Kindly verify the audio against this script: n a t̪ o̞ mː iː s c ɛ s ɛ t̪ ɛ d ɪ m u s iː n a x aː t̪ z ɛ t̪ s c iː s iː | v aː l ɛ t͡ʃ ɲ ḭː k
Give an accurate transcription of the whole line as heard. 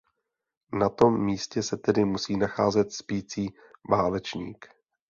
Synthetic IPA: n a t̪ o̞ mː iː s c ɛ s ɛ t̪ ɛ d ɪ m u s iː n a x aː z ɛ t̪ s p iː t͡s iː | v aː l ɛ t͡ʃ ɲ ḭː k